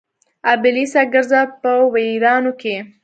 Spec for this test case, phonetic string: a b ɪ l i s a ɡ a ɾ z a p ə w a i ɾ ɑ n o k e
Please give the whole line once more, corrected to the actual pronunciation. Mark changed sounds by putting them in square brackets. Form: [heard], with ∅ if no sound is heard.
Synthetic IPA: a b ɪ l i s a ɡ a ɾ z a p ə w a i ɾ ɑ n o k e